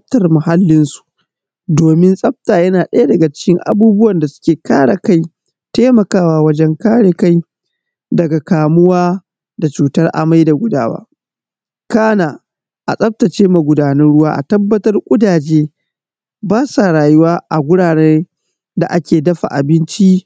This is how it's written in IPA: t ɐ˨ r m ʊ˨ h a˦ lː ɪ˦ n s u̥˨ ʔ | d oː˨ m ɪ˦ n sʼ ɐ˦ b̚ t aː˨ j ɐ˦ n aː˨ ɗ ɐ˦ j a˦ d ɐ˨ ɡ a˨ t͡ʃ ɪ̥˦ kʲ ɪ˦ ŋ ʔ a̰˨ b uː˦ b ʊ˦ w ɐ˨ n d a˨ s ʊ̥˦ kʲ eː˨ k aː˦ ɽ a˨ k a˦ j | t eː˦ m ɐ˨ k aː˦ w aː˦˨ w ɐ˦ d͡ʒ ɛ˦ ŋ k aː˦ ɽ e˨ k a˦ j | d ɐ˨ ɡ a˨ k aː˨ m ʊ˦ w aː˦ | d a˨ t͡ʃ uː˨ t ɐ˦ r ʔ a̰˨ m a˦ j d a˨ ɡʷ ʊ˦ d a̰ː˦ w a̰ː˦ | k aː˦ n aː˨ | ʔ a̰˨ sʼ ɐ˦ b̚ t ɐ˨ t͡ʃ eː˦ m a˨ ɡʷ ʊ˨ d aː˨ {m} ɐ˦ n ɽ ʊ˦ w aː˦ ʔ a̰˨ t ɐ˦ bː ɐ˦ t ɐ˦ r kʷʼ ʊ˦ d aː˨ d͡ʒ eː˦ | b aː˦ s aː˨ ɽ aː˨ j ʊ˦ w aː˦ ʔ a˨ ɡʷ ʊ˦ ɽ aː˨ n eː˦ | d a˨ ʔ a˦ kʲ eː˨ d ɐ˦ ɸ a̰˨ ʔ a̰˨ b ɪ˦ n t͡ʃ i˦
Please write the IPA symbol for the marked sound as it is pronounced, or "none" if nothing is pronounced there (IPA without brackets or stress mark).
n